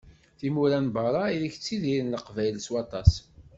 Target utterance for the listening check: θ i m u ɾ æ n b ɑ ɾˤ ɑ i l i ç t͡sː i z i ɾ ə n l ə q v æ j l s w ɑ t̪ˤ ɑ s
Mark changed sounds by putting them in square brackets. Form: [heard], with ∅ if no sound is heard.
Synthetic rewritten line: θ i m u ɾ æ n b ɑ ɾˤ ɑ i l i ç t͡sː i [ð] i ɾ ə n l ə q v æ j l s w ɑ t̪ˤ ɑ s